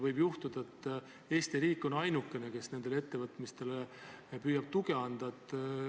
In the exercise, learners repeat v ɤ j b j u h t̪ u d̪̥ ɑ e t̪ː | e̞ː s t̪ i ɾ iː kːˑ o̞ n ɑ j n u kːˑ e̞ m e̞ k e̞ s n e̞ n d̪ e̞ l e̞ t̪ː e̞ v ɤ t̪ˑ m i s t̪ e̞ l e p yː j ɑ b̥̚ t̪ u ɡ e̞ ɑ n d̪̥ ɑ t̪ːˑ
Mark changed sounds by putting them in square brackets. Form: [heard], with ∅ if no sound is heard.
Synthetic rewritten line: v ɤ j b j u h t̪ u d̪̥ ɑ e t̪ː | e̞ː s t̪ i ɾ iː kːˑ o̞ n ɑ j n u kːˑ e̞ [n] e̞ k e̞ s n e̞ n d̪ e̞ l e̞ t̪ː e̞ v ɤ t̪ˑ m i s t̪ e̞ l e p yː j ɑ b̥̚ t̪ u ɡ e̞ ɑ n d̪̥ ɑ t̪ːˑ